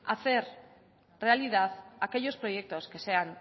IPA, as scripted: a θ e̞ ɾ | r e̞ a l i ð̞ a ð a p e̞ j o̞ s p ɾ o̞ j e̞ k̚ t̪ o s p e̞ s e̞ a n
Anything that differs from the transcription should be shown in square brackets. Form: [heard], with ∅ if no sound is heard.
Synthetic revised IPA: a θ e̞ ɾ | r e̞ a l i ð̞ a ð a [k] e̞ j o̞ s p ɾ o̞ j e̞ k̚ t̪ o s [k] e̞ s e̞ a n